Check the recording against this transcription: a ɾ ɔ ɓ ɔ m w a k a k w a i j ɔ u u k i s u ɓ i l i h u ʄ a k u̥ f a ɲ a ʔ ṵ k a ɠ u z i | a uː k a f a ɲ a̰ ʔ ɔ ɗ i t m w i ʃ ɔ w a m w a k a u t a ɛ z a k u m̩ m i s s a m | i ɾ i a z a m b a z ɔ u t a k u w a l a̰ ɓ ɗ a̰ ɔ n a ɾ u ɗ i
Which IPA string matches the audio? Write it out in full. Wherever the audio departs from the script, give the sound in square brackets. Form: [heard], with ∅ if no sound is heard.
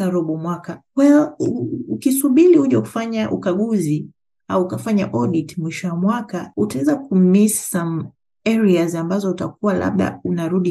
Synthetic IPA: a ɾ ɔ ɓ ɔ m w a k a k w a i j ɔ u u k i s u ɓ i l i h u ʄ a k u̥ f a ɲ a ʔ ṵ k a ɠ u z i | a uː k a f a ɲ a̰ ʔ ɔ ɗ i t m w i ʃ ɔ w a m w a k a u t a ɛ z a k u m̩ m i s s a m | [ɛ] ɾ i a z a m b a z ɔ u t a k u w a l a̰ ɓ ɗ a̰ [u] n a ɾ u ɗ i